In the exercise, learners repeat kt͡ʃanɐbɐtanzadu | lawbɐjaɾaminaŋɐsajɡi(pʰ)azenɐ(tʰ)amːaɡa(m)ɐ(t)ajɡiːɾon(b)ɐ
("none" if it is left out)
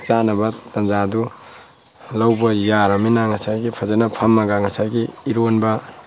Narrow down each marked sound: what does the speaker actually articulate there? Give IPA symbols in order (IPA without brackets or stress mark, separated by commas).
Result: pʰ, pʰ, ŋ, s, b